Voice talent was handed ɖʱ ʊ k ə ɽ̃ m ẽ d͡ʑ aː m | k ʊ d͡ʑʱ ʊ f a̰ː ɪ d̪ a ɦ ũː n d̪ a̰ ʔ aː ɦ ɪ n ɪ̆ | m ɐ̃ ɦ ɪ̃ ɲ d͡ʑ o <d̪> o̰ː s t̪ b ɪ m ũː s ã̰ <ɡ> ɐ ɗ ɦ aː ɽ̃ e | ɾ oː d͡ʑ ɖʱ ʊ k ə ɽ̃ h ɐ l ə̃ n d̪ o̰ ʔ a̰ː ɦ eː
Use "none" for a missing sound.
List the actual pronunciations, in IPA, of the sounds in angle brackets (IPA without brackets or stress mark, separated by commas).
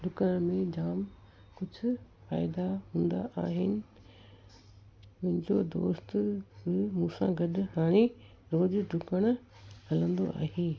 d̪, ɡ